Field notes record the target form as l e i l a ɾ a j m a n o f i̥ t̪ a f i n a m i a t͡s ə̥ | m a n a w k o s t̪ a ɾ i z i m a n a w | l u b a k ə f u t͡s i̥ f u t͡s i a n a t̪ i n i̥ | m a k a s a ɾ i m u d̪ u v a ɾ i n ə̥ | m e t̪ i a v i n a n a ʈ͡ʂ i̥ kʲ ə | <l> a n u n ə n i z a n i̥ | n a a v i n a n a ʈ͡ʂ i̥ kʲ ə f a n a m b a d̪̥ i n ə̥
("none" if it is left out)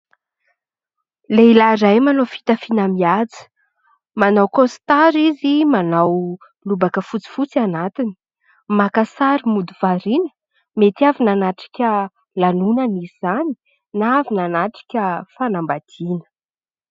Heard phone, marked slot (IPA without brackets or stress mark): l